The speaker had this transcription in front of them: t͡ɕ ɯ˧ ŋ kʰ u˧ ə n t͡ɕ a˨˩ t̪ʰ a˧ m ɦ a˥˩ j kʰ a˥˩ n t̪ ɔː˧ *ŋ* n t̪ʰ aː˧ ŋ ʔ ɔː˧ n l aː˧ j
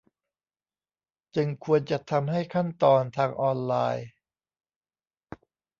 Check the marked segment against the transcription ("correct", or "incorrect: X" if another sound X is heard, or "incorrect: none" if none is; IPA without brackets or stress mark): incorrect: none